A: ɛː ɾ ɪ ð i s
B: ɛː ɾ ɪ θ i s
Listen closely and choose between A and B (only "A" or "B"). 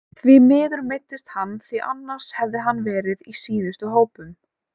A